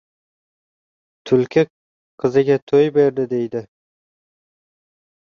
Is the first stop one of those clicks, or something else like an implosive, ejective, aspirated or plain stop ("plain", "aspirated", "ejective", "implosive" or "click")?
aspirated